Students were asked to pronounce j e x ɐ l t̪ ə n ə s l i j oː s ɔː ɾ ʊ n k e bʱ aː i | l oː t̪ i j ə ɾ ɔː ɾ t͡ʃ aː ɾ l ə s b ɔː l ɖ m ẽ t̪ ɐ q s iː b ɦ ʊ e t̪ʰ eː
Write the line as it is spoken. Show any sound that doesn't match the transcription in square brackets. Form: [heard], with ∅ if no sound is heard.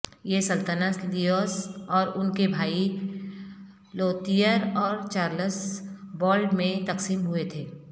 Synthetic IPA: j e [s] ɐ l t̪ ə n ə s l i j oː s ɔː ɾ ʊ n k e bʱ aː i | l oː t̪ i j ə ɾ ɔː ɾ t͡ʃ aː ɾ l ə s b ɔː l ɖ m ẽ t̪ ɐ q s iː [m] ɦ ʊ e t̪ʰ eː